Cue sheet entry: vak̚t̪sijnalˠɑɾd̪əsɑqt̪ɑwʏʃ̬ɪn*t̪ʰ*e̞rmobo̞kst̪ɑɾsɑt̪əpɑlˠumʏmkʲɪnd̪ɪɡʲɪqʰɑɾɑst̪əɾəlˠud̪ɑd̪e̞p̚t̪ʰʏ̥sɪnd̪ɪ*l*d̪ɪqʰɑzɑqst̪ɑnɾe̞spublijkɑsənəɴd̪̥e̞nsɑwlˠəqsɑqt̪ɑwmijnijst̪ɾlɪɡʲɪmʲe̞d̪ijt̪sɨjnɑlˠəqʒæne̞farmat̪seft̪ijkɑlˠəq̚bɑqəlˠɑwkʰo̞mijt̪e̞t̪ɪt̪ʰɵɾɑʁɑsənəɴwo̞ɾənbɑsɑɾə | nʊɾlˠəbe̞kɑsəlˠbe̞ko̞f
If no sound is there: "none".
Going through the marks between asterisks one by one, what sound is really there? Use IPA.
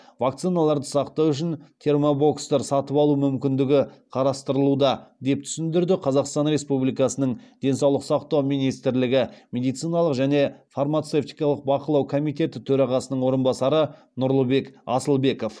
t̪ʰ, ɾ

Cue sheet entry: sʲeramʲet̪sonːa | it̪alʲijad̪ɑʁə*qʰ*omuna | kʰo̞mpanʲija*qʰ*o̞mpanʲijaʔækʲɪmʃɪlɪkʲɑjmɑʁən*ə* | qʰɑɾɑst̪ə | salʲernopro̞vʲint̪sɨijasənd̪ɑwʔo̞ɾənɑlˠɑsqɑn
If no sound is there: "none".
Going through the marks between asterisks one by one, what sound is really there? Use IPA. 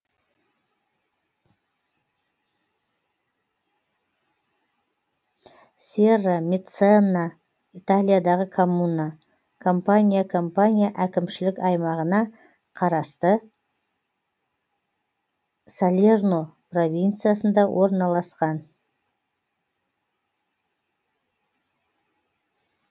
kʰ, kʰ, ɑ

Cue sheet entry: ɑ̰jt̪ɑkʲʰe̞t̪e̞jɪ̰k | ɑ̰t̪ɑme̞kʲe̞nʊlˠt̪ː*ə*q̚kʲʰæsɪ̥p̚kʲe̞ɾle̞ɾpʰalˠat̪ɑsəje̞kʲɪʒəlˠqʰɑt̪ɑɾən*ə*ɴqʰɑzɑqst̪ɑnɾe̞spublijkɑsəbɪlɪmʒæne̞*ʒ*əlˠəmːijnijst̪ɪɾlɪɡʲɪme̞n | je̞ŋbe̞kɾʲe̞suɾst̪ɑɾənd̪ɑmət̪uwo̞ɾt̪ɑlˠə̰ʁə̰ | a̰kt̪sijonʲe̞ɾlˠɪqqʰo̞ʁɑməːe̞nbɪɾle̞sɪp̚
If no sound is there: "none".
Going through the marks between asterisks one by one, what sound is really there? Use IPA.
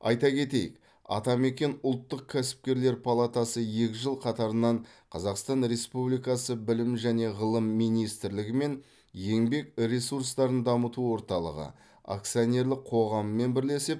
ə, ɑ, ʁ

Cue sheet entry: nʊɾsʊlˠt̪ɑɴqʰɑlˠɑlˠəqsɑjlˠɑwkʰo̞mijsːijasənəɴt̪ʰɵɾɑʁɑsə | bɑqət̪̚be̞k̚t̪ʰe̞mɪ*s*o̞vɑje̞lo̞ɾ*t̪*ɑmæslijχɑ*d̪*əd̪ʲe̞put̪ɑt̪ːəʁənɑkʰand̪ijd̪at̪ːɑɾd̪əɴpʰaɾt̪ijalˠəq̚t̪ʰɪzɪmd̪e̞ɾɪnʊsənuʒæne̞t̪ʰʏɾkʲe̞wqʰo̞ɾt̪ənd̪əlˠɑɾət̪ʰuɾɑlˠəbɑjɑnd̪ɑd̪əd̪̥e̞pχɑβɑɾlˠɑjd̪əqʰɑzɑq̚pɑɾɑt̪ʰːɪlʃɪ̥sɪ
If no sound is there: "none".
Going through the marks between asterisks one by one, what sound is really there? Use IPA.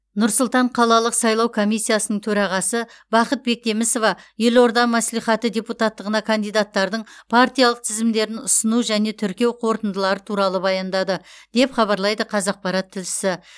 s, d̪, t̪

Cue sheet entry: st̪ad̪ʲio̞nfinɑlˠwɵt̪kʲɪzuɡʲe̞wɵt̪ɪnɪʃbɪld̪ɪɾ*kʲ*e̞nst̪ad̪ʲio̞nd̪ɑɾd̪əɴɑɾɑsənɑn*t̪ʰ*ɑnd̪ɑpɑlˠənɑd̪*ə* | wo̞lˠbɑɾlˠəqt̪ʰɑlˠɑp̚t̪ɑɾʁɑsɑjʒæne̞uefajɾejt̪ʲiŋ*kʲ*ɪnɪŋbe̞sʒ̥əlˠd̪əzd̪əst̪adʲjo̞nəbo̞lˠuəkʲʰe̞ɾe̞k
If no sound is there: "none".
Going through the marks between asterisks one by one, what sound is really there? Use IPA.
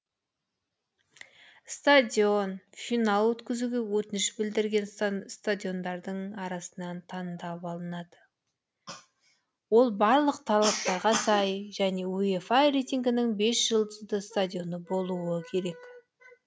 ɡʲ, t̪ʰ, ə, ɡʲ

